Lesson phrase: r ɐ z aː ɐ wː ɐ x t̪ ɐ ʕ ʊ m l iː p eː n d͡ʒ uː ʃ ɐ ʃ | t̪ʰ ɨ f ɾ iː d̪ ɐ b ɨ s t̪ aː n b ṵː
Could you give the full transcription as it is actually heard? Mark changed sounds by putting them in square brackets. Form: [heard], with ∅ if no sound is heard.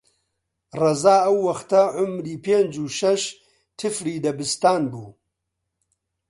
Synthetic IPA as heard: r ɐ z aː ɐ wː ɐ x t̪ ɐ ʕ ʊ m [ɾ] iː p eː n d͡ʒ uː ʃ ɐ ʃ | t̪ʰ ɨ f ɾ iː d̪ ɐ b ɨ s t̪ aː n b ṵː